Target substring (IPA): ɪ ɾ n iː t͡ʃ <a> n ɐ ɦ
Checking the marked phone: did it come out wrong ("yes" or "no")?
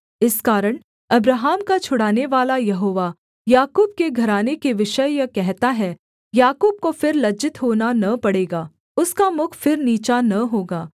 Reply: no